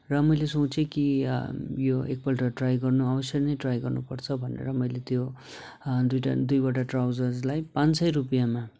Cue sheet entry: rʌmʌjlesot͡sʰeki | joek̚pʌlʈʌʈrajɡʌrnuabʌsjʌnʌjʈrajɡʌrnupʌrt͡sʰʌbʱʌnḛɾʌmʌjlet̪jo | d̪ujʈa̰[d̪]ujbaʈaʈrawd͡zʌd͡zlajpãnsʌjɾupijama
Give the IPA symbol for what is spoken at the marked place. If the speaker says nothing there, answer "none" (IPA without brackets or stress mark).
d̪